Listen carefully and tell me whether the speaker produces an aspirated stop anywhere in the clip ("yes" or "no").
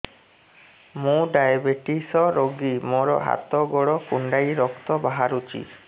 no